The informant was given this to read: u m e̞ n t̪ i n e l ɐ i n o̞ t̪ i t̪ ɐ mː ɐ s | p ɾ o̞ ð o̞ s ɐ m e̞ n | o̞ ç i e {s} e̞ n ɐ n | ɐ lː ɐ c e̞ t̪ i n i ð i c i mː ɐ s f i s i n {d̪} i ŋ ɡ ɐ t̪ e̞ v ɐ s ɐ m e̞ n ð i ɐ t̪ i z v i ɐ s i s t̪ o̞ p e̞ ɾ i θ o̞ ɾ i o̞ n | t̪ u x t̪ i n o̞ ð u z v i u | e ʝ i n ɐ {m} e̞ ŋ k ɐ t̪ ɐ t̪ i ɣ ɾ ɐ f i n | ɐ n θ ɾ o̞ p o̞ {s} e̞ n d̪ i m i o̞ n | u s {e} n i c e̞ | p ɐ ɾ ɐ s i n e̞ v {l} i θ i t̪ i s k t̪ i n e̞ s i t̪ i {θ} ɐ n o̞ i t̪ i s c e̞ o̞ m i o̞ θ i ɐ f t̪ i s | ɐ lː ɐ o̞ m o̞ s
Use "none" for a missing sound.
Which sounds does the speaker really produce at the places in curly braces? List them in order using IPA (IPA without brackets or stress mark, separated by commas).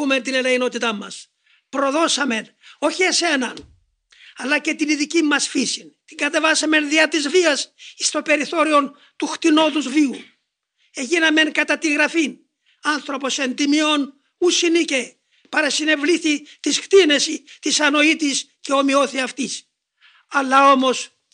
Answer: s, t̪, m, s, i, l, s